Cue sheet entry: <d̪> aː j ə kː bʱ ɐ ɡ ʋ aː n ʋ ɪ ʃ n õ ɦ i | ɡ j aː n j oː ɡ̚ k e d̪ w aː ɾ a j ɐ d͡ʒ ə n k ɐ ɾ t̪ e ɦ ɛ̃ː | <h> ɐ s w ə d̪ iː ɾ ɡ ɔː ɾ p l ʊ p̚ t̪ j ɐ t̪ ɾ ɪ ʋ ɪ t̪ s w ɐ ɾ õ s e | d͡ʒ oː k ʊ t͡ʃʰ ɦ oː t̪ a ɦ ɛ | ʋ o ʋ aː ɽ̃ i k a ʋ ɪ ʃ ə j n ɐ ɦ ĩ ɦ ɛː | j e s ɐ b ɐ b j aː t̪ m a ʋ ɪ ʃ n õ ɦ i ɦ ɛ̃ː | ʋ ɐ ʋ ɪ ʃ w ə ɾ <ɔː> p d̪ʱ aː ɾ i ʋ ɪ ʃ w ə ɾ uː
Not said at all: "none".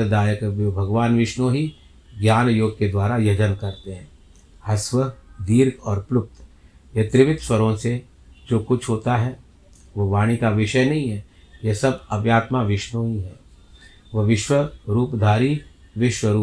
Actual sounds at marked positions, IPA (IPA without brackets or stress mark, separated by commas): d̪, h, uː